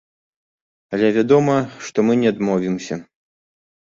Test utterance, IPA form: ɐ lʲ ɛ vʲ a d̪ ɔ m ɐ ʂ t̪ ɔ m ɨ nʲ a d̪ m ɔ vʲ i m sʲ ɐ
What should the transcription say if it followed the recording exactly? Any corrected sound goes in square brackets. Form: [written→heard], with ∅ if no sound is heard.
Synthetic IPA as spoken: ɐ lʲ ɛ vʲ a d̪ ɔ m ɐ ʂ t̪ ɔ m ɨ nʲ [a→ɛ] d̪ m ɔ vʲ i m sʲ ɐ